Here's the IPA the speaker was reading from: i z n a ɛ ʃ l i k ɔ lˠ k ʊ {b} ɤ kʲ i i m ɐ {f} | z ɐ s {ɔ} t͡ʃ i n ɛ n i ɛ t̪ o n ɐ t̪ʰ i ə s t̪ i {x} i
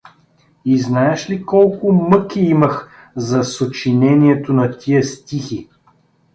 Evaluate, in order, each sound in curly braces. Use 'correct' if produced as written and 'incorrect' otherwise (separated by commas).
incorrect, incorrect, incorrect, correct